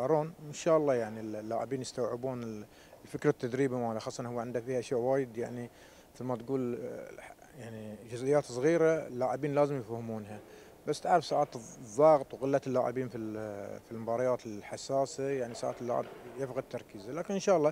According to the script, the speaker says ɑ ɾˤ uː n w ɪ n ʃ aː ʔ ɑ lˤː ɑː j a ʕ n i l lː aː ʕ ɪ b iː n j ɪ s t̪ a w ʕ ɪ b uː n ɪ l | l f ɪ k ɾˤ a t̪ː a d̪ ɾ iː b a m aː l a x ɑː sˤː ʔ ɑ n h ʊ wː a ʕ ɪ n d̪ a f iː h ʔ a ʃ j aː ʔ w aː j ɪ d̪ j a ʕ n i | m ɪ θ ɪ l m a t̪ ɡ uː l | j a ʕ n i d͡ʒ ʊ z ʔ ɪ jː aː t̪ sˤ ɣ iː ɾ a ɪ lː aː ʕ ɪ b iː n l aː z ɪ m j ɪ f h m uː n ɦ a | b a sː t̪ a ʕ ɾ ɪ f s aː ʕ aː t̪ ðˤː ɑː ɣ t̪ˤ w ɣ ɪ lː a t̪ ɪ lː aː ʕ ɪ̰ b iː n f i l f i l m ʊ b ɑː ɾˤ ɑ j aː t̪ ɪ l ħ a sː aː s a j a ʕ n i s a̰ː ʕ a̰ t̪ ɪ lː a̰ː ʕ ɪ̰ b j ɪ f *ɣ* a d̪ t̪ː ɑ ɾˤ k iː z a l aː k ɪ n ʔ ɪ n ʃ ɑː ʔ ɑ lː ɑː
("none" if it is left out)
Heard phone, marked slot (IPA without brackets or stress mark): ɣ